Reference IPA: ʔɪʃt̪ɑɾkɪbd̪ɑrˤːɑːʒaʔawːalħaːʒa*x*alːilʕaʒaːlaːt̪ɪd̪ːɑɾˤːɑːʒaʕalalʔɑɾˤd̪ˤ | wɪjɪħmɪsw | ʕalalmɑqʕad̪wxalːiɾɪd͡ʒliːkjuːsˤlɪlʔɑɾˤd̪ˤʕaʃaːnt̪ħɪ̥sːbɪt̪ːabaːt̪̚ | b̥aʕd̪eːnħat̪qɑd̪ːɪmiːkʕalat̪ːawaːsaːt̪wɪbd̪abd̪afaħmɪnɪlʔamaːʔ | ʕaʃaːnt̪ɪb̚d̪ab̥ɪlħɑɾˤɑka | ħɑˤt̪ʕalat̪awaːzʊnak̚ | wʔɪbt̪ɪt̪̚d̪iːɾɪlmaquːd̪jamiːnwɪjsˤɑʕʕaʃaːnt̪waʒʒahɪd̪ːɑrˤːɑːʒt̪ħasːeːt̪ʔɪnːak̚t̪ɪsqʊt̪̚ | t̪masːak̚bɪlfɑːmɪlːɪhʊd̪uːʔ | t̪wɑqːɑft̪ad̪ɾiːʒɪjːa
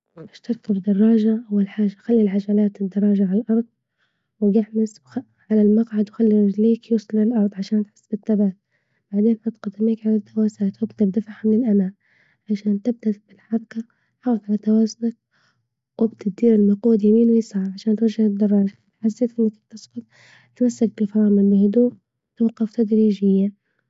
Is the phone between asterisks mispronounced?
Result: no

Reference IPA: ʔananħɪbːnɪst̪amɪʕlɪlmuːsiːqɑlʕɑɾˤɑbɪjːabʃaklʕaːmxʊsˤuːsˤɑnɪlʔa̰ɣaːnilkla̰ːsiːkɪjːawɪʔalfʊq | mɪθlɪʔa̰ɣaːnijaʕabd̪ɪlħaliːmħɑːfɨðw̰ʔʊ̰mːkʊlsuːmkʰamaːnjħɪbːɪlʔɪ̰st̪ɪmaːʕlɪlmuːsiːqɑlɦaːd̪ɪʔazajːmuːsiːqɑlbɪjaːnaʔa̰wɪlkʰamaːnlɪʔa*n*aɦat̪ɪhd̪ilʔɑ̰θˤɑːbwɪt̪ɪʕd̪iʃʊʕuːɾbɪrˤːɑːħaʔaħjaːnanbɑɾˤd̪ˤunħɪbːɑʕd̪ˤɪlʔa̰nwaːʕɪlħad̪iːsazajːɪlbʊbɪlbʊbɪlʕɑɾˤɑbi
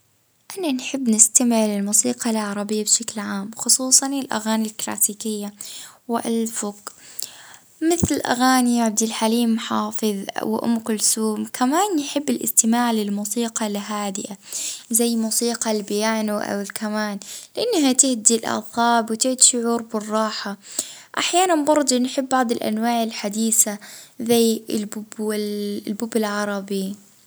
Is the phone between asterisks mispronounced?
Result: yes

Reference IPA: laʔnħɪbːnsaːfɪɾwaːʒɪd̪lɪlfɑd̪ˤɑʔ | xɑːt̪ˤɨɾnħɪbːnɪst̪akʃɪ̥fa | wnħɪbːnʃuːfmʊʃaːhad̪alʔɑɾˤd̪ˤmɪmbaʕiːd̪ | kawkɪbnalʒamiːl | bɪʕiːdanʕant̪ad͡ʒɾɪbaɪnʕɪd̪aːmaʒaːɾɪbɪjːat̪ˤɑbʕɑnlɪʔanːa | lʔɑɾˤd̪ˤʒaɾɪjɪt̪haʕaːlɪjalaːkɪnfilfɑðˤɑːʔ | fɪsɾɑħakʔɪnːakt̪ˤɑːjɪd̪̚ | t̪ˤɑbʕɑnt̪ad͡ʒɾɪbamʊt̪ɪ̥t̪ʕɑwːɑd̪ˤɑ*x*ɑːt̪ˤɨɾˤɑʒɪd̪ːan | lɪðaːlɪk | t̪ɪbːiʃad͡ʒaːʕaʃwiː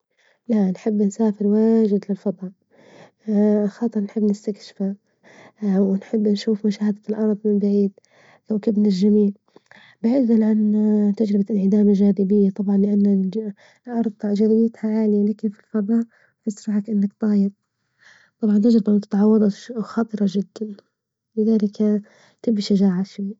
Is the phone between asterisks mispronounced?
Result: no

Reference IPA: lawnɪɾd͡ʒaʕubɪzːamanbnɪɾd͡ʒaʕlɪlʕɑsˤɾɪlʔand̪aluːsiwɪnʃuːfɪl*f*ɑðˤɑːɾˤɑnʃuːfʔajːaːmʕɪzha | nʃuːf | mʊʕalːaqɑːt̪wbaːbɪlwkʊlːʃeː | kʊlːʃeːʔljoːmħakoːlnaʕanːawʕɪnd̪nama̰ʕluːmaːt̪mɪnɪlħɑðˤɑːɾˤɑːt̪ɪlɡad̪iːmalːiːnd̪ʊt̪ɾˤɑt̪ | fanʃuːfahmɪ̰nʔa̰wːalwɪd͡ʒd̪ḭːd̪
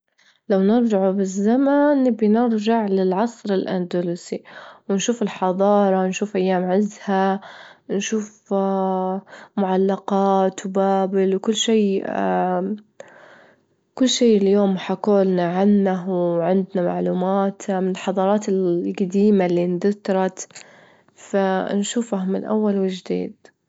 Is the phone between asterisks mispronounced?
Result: yes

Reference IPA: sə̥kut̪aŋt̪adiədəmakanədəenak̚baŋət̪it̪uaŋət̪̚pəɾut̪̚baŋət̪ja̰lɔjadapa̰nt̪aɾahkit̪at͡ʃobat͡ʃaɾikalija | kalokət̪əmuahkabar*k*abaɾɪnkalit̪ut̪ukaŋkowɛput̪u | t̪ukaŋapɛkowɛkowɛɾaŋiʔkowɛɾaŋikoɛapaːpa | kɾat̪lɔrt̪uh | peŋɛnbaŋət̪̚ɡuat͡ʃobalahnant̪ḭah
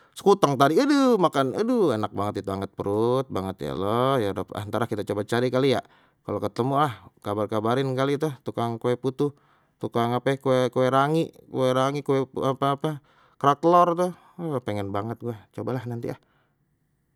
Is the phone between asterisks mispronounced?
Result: no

